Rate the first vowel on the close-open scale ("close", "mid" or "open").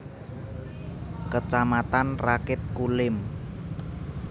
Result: mid